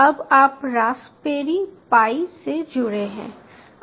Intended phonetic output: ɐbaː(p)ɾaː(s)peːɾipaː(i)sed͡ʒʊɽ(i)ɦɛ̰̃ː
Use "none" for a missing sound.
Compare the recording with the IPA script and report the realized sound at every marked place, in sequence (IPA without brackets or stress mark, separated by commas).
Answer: p, s, i, e